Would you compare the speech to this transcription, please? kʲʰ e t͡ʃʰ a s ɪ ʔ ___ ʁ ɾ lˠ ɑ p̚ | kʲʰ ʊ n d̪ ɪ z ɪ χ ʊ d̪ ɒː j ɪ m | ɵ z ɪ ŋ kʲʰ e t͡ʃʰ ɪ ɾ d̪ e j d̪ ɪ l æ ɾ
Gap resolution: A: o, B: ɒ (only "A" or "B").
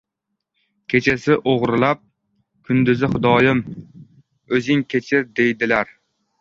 A